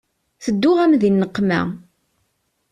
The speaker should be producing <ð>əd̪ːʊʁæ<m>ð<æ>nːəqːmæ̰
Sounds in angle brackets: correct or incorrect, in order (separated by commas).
incorrect, correct, incorrect